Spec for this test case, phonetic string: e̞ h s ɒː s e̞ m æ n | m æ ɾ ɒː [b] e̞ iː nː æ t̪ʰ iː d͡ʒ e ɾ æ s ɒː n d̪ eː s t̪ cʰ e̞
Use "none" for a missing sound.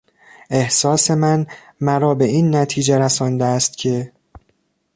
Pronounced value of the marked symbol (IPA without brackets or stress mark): b